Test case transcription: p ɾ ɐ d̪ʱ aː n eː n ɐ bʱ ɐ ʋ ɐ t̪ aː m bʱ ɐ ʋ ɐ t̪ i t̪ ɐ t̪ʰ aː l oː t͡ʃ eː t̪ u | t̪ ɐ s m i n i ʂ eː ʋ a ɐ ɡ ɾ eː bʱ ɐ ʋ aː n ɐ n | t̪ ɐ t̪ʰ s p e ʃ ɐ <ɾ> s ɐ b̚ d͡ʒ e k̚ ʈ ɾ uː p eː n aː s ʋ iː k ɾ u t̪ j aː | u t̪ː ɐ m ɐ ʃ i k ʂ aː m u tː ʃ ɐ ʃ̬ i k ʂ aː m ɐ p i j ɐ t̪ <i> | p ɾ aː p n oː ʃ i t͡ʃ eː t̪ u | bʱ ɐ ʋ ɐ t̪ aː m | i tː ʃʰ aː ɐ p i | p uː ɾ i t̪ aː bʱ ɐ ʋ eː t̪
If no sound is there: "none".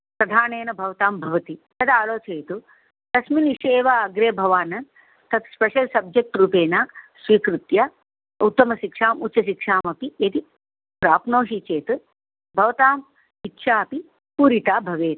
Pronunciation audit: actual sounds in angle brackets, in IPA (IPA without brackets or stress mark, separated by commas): l, i